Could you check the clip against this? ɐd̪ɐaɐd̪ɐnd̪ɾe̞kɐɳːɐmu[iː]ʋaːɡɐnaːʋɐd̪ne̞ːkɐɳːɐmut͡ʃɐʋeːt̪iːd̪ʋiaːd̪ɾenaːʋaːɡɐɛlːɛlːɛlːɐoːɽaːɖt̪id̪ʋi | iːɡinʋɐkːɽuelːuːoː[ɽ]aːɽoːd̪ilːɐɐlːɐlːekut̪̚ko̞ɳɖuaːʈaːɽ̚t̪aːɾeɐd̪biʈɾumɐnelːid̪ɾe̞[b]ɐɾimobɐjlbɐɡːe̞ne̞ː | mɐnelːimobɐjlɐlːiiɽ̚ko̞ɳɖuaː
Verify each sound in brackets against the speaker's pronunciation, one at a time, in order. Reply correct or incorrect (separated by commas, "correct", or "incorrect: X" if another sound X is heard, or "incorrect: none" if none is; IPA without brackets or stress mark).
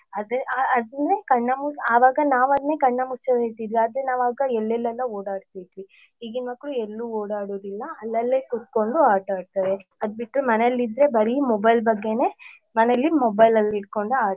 incorrect: aː, correct, correct